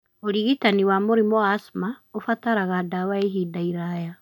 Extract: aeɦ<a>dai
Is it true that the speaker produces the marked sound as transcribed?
no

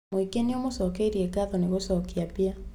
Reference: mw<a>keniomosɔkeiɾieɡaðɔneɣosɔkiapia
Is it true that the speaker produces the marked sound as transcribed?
no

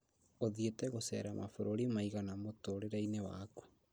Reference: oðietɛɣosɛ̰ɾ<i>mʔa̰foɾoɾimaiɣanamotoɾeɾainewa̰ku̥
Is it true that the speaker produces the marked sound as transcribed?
no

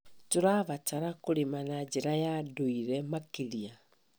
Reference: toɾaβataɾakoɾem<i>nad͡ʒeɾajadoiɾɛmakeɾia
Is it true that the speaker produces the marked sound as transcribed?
no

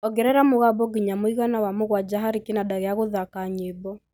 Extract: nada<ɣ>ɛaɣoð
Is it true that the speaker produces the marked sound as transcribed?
yes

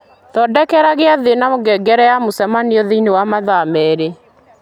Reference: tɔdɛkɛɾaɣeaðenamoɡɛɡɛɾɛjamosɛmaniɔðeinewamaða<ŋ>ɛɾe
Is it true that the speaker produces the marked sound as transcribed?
no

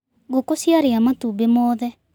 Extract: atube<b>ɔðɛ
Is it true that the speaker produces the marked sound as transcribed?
no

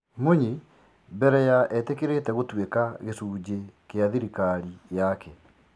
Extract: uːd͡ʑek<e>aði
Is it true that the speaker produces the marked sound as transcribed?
yes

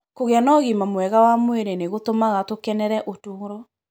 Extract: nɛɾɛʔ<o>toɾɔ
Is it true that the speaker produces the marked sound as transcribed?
yes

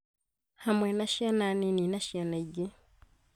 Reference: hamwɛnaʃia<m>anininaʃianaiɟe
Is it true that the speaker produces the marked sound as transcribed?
no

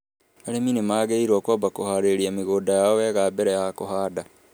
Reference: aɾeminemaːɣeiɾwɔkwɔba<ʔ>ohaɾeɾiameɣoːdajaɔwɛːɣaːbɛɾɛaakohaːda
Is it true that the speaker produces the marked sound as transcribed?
no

